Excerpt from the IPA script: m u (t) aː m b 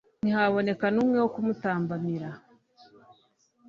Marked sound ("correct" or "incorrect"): correct